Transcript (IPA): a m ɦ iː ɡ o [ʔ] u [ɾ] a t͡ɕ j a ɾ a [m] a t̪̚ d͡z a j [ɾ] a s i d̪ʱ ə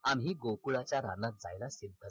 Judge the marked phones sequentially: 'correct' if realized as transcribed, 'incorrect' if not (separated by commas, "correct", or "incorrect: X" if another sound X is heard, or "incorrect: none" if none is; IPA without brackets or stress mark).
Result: incorrect: k, incorrect: ɭ, incorrect: n, incorrect: l